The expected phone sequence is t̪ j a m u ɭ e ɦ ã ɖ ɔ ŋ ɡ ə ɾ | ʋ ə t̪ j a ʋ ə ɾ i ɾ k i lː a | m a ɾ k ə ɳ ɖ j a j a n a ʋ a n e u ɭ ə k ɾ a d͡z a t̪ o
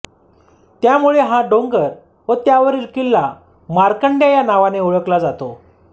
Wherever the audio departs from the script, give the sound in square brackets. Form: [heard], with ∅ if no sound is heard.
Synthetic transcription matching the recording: t̪ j a m u ɭ e ɦ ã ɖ [o] ŋ ɡ ə ɾ | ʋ ə t̪ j a ʋ ə ɾ i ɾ k i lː a | m a ɾ k ə ɳ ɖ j a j a n a ʋ a n e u ɭ ə k [l] a d͡z a t̪ o